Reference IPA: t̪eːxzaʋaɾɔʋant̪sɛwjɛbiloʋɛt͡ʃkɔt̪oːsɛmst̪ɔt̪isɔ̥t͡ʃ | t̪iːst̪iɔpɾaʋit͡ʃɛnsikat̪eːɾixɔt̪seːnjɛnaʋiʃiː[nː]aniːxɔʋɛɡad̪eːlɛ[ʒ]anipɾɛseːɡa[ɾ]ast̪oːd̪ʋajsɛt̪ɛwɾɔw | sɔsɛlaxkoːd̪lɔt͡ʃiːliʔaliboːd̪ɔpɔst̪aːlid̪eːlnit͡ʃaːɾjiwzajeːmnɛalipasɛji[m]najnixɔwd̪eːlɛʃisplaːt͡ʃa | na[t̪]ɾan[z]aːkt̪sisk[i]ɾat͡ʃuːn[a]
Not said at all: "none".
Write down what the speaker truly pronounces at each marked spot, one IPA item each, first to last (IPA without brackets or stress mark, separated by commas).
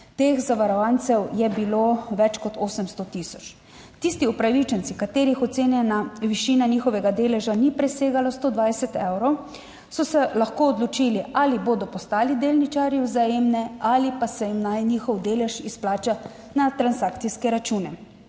n, ʒ, l, m, t̪, s, ɛ, ɛ